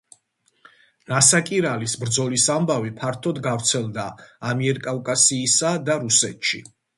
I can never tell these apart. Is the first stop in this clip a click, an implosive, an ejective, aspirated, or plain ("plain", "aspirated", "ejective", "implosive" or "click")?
ejective